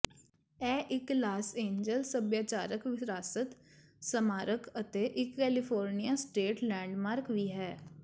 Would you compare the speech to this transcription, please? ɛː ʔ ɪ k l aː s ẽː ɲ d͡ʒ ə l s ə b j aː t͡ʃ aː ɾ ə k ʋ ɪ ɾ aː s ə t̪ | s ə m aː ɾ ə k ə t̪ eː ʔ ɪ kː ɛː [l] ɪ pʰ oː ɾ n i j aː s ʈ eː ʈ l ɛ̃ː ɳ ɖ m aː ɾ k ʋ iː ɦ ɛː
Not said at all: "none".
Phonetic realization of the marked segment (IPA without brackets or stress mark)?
l